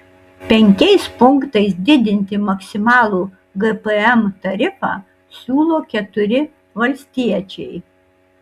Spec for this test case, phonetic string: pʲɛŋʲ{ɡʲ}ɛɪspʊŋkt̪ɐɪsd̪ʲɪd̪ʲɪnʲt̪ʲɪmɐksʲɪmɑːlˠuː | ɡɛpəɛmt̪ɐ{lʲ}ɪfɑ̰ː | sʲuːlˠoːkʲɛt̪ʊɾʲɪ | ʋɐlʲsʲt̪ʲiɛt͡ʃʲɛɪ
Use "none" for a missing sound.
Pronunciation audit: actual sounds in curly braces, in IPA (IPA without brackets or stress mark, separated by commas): kʲ, ɾʲ